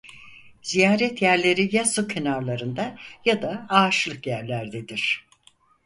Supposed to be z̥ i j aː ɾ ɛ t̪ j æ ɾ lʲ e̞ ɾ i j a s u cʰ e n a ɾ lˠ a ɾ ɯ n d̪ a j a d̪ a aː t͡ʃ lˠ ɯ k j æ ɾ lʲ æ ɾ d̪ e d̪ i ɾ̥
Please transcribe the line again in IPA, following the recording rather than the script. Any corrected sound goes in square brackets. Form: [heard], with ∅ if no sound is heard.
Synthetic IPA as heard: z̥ i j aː ɾ ɛ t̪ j æ ɾ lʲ e̞ ɾ i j a s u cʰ e n a ɾ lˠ a ɾ ɯ n d̪ a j a d̪ a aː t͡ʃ lˠ ɯ k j æ ɾ lʲ æ ɾ d̪ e d̪ i ɾ̥